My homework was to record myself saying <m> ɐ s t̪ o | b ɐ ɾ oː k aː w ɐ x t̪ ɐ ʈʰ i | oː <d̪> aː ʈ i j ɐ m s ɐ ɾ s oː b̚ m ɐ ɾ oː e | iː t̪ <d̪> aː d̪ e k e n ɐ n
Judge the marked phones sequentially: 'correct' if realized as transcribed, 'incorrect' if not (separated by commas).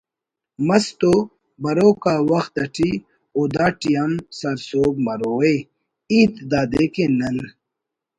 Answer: correct, correct, correct